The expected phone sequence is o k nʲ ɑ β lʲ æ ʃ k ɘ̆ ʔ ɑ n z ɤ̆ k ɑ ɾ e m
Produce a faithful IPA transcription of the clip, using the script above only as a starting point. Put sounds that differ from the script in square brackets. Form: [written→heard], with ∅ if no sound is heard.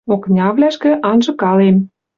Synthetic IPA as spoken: o k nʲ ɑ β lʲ æ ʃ k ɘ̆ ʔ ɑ n [z→ʒ] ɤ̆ k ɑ [ɾ→l] e m